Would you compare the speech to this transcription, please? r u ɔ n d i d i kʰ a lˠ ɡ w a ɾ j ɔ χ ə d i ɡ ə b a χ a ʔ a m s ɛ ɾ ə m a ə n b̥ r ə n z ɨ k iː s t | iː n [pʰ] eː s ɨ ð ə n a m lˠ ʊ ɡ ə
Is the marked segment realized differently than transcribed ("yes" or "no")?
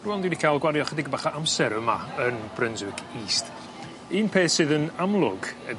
no